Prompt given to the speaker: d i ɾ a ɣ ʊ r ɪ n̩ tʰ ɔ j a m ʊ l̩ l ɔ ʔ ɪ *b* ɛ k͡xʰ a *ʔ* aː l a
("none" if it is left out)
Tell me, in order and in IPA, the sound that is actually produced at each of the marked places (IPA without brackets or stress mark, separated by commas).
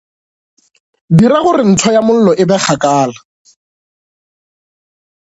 b, k